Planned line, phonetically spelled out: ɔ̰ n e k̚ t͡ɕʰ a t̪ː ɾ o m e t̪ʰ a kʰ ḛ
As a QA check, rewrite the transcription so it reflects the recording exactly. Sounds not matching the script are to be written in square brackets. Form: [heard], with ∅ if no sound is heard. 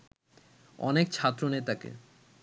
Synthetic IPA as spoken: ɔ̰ n e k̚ t͡ɕʰ a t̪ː ɾ o [n] e [t̪] a [k] ḛ